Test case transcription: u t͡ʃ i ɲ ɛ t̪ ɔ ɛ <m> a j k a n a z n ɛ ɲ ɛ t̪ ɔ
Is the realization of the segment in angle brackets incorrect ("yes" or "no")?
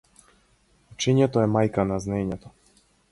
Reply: no